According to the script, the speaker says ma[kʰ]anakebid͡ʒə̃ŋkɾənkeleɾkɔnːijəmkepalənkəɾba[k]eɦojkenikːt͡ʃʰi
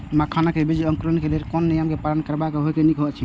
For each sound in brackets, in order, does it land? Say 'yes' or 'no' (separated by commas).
yes, yes